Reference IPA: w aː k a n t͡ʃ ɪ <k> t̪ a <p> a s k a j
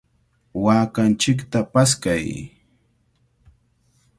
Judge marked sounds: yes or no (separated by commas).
yes, yes